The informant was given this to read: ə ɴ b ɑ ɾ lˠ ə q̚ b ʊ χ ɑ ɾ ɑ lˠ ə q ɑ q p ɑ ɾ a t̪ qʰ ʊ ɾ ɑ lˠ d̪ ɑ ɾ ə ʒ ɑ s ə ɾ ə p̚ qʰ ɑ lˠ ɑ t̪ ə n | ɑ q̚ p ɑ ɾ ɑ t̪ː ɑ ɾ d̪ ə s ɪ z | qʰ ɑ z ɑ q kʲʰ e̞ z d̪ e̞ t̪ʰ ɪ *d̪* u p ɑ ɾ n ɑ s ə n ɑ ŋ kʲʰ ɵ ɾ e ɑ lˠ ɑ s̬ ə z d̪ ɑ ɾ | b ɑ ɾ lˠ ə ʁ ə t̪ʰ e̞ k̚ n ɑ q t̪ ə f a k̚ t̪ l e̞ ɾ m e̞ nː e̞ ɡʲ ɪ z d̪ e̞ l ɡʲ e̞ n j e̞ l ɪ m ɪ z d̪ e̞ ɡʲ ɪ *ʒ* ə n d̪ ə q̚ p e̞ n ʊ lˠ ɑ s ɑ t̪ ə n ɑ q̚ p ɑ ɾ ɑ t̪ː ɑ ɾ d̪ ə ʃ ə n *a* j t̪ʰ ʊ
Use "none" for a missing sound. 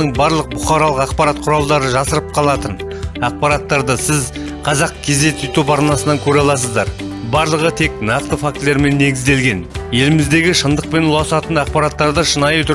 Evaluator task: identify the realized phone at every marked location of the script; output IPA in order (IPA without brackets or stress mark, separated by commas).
t̪, ʃ, ɑ